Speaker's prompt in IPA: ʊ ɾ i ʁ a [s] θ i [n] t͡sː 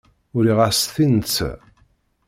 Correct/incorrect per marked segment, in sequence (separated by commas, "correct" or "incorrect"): correct, correct